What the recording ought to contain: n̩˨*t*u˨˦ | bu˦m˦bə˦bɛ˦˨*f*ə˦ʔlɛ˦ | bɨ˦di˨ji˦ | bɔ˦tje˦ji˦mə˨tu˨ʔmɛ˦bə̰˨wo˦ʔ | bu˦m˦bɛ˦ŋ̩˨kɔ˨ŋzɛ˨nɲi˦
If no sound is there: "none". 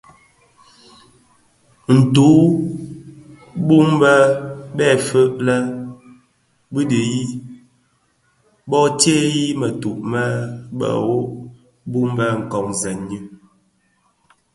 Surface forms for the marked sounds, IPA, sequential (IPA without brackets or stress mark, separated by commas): t, f